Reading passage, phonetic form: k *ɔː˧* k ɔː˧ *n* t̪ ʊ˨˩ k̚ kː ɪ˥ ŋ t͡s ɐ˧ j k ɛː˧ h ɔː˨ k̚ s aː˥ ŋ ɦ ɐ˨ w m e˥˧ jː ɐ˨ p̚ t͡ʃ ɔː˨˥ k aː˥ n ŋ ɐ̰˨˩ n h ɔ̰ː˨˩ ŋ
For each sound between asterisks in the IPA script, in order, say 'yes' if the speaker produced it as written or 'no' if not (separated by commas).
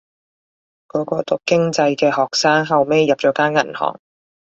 no, no